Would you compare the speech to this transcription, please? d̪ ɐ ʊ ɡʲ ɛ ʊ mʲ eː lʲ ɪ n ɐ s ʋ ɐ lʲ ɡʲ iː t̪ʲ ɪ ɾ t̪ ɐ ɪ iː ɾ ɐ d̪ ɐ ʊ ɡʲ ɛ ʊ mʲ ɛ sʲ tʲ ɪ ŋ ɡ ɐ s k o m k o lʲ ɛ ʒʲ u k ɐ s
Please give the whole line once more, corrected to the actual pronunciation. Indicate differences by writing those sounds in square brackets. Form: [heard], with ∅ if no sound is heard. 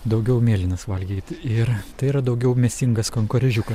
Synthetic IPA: d̪ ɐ ʊ ɡʲ ɛ ʊ mʲ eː lʲ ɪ n ɐ s ʋ ɐ lʲ ɡʲ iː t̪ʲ ɪ ɾ t̪ ɐ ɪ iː ɾ ɐ d̪ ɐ ʊ ɡʲ ɛ ʊ mʲ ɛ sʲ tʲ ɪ ŋ ɡ ɐ s k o [ŋ] k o [ɾʲ] ɛ ʒʲ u k ɐ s